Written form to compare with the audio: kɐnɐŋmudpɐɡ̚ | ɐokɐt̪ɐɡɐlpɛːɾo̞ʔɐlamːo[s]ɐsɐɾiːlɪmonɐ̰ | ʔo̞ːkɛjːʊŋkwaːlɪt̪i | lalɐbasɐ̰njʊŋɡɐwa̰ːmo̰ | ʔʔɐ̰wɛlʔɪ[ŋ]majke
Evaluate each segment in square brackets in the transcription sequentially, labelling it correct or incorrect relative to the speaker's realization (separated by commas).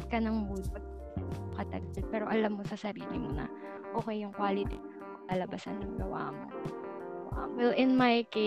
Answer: correct, incorrect